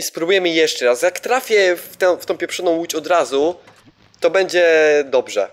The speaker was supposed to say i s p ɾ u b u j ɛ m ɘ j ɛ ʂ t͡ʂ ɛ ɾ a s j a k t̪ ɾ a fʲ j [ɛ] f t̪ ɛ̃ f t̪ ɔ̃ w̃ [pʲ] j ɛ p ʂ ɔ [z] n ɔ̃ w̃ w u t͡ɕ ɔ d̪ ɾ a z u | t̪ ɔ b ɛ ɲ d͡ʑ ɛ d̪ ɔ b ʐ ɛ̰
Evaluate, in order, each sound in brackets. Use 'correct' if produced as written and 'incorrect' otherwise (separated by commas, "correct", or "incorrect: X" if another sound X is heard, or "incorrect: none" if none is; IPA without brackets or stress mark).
correct, correct, incorrect: none